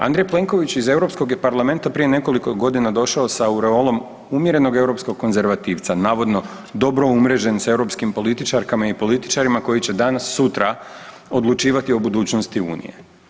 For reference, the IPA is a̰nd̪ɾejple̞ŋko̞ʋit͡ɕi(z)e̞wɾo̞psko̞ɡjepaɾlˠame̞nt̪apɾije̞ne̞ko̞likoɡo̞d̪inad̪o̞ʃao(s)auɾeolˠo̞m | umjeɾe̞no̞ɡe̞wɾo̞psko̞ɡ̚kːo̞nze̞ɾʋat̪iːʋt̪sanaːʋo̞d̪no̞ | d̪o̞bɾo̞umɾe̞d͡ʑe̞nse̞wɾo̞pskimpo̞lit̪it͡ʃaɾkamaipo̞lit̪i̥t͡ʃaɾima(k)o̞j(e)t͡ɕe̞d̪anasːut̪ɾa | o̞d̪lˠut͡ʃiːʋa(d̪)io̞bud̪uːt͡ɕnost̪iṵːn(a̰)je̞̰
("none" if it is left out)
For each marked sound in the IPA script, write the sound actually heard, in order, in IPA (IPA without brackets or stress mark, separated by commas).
z, s, k, i, t̪, ḭ